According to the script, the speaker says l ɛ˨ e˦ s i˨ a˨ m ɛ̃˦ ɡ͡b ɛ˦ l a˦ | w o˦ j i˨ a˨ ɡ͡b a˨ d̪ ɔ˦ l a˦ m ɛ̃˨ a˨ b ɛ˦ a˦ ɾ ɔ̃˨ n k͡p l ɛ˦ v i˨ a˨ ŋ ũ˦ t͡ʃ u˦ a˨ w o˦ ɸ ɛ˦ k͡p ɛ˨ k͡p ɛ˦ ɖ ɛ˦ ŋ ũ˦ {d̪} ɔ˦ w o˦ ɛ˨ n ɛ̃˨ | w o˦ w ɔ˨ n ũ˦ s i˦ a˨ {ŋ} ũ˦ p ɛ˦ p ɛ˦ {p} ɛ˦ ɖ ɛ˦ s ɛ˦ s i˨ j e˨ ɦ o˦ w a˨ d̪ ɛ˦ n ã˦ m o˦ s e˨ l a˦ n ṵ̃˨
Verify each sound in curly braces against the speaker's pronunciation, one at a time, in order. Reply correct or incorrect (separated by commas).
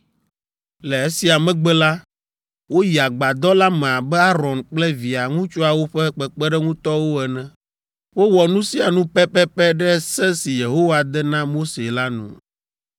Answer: incorrect, incorrect, correct